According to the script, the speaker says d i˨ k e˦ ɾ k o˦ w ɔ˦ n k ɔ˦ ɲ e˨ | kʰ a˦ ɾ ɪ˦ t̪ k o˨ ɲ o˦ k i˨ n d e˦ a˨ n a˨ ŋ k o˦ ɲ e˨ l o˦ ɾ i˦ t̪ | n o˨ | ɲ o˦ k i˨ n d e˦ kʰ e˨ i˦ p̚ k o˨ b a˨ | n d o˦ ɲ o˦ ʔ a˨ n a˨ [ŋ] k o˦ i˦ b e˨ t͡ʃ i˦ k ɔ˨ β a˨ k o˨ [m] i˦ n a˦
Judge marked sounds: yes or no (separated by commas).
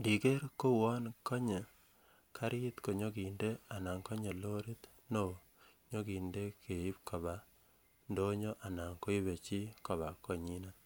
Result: yes, no